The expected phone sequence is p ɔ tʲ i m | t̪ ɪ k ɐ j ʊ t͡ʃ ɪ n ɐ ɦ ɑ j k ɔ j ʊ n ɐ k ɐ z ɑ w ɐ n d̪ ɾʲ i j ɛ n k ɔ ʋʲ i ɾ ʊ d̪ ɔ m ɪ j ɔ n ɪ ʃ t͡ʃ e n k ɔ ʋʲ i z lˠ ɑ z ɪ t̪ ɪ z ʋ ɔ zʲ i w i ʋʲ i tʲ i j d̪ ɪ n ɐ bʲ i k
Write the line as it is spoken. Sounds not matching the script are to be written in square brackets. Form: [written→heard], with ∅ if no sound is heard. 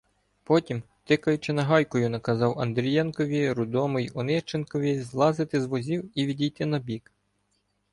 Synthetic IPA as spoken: p ɔ tʲ i m | t̪ ɪ k ɐ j ʊ t͡ʃ ɪ n ɐ ɦ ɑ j k ɔ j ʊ n ɐ k ɐ z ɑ w ɐ n d̪ ɾʲ i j ɛ n k ɔ ʋʲ i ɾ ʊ d̪ ɔ m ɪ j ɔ n ɪ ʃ t͡ʃ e n k ɔ ʋʲ i z lˠ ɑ z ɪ t̪ ɪ z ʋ ɔ zʲ i w i ʋʲ i [tʲ→dʲ] i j [d̪→t̪] ɪ n ɐ bʲ i k